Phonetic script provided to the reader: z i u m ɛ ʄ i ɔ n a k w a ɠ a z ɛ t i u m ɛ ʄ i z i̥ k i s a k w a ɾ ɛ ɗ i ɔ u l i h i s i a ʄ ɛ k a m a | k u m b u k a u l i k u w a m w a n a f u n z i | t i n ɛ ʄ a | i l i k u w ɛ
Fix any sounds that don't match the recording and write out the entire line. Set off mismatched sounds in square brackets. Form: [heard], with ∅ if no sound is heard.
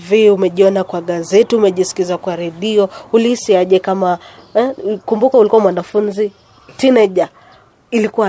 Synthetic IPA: [v] i u m ɛ ʄ i ɔ n a k w a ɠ a z ɛ t i u m ɛ ʄ i [s] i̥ k i [z] a k w a ɾ ɛ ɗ i ɔ u l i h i s i a ʄ ɛ k a m a | k u m b u k a u l i k u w a m w a n a f u n z i | t i n ɛ ʄ a | i l i k u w [a]